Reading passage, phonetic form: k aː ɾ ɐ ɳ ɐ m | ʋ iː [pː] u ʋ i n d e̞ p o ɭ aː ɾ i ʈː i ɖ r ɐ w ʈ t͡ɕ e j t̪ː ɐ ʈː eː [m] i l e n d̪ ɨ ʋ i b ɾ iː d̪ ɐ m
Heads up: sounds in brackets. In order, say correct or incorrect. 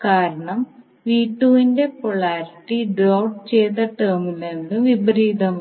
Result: incorrect, correct

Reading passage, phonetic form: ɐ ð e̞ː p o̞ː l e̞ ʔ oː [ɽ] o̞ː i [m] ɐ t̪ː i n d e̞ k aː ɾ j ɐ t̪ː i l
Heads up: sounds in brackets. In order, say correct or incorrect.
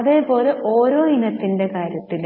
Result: incorrect, incorrect

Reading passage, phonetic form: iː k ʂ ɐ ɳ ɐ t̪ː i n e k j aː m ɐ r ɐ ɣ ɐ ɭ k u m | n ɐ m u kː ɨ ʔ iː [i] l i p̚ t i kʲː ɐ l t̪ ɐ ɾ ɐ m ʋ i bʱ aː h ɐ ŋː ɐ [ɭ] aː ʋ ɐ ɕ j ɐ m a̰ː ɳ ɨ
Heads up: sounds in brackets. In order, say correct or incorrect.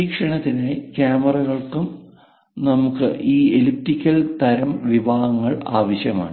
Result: incorrect, correct

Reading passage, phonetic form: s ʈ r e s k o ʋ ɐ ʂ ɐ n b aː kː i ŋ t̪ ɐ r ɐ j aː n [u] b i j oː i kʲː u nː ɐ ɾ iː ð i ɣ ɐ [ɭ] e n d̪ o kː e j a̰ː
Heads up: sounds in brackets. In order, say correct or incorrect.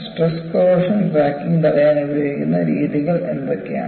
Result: correct, correct

